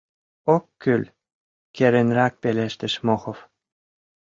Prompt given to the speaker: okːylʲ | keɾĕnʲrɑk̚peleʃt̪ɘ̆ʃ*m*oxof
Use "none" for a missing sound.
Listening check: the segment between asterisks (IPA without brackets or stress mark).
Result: m